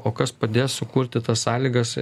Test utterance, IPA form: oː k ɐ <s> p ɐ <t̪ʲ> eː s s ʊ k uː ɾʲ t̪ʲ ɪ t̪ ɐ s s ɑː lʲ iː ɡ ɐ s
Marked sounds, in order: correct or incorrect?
correct, incorrect: d̪ʲ

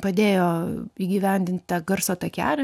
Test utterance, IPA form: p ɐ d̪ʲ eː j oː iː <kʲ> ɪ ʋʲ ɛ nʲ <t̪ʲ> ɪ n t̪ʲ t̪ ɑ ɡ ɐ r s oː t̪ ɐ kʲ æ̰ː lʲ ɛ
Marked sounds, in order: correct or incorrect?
incorrect: ɡʲ, incorrect: d̪ʲ

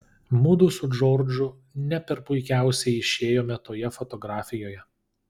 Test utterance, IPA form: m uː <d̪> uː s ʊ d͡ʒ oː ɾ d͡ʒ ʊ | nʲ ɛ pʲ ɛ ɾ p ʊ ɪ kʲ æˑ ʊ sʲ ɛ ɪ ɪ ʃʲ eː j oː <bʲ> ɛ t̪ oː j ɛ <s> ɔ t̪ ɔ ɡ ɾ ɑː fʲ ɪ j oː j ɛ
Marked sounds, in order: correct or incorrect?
correct, incorrect: mʲ, incorrect: f

